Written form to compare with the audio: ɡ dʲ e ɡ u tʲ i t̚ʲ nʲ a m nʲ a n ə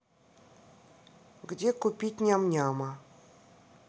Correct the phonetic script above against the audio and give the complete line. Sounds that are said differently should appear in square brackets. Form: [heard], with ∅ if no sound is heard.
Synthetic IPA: ɡ dʲ e [k] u [pʲ] i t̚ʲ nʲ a m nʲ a [m] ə

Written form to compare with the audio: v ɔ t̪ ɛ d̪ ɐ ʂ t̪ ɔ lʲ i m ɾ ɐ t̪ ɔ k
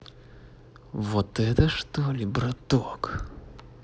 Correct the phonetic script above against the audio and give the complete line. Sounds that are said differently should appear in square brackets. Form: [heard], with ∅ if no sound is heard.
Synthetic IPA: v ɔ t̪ ɛ [t̪] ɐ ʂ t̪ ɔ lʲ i [b] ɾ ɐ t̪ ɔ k

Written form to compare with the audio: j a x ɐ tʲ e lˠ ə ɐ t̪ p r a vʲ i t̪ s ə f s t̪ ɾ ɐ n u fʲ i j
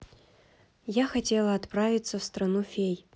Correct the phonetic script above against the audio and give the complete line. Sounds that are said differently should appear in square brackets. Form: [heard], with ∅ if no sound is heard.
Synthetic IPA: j a x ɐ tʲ e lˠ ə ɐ t̪ p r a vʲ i t̪ s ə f s t̪ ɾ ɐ n u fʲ [e] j

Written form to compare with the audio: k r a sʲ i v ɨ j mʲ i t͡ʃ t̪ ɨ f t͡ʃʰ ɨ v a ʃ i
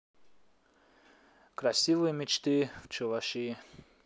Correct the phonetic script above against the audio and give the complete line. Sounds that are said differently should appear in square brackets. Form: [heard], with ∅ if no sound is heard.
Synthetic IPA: k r a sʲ i v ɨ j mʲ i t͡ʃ t̪ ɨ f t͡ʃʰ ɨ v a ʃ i

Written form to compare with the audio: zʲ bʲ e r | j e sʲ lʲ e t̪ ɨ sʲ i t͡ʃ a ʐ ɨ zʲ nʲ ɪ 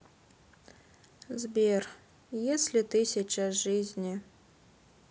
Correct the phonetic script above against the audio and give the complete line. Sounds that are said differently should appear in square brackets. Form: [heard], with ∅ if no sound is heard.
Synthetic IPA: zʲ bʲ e r | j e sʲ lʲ [i] t̪ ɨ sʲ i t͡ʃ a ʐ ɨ zʲ nʲ [i]

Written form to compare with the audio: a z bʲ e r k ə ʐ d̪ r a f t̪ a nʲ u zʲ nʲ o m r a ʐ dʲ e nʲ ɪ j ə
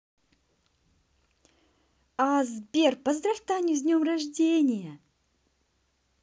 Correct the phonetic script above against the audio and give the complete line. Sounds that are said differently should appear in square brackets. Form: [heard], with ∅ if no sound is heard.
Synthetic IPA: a z bʲ e r [p] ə [z] d̪ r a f t̪ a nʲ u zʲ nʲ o m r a ʐ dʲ e nʲ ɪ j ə

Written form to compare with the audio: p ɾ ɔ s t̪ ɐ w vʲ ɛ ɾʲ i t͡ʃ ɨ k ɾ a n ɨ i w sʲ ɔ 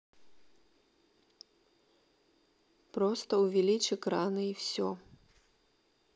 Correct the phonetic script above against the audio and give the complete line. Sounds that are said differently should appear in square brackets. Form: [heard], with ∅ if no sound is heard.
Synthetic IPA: p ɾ ɔ s t̪ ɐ w vʲ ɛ [lʲ] i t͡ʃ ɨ k ɾ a n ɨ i w sʲ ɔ

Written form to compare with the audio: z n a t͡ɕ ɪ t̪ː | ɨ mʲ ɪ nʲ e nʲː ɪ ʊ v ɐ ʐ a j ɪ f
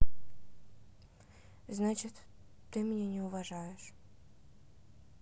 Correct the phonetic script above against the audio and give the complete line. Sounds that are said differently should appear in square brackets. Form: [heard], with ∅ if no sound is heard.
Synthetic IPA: z n a t͡ɕ ɪ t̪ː | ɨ mʲ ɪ nʲ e [nʲ] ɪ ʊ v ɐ ʐ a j ɪ [ʂ]

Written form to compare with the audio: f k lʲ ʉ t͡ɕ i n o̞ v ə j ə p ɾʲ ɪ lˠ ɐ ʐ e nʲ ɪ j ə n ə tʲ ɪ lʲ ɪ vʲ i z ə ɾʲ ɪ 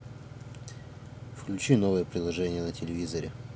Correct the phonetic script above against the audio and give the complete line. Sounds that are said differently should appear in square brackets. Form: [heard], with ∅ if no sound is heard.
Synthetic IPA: f k lʲ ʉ t͡ɕ i n o̞ v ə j ə p ɾʲ ɪ lˠ ɐ ʐ [ɛ] nʲ ɪ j ə n ə tʲ ɪ lʲ ɪ vʲ i z ə ɾʲ ɪ

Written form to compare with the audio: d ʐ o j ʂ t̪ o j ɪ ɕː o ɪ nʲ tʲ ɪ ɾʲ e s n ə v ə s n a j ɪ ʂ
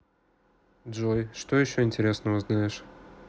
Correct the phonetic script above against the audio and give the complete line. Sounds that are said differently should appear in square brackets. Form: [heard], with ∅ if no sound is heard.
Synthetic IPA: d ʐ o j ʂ t̪ o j ɪ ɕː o ɪ nʲ tʲ ɪ ɾʲ e s n ə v ə [z] n a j ɪ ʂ

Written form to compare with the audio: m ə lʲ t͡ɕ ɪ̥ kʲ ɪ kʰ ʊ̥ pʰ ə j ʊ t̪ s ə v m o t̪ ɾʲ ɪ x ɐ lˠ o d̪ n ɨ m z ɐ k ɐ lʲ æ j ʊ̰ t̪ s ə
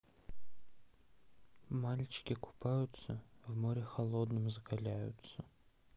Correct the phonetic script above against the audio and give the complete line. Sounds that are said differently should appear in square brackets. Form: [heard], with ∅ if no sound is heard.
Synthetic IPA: m [a] lʲ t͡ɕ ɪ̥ kʲ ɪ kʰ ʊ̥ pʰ [a] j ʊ t̪ s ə v m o [∅] ɾʲ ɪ x ɐ lˠ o d̪ n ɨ m z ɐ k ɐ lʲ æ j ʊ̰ t̪ s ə

